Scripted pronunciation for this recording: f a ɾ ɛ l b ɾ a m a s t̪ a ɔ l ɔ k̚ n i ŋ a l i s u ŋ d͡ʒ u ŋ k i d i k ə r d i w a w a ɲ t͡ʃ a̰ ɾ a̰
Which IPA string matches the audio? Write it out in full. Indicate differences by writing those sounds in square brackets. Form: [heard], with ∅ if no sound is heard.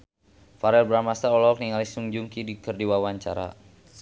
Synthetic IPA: f a ɾ ɛ l b ɾ a m a s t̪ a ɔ l ɔ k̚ n i ŋ a l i s u ŋ d͡ʒ u ŋ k i d i k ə r d i w a w a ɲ t͡ʃ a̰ ɾ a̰